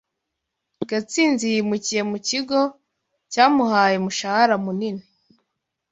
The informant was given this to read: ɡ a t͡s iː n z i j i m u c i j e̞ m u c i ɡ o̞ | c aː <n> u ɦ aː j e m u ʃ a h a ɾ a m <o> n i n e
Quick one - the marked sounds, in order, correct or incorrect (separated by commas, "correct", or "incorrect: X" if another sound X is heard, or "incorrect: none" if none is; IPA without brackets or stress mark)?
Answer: incorrect: m, incorrect: u